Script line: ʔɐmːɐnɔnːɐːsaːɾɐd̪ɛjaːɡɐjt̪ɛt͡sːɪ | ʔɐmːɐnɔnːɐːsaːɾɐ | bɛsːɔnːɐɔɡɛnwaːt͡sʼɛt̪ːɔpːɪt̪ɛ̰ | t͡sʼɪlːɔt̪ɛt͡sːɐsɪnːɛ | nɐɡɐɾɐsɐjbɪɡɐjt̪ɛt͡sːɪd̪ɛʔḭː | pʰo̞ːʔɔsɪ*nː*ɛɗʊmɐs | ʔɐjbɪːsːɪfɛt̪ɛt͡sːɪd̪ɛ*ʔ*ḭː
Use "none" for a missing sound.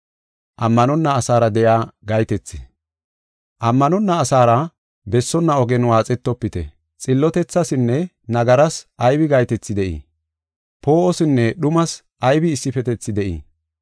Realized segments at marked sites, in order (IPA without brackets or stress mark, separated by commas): nː, ʔ